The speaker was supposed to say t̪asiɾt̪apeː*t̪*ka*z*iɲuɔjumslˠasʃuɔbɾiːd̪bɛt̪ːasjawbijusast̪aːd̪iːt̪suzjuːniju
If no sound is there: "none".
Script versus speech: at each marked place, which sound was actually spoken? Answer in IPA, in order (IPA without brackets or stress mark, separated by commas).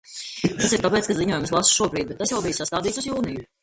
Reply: t̪, z